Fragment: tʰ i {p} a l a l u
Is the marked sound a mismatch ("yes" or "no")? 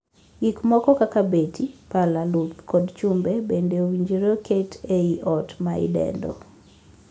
no